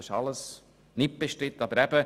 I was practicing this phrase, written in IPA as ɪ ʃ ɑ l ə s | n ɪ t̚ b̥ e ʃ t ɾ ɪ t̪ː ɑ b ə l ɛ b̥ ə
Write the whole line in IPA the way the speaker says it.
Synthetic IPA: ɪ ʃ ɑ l ə s | n ɪ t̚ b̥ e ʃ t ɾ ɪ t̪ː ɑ b ə ɾ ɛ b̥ ə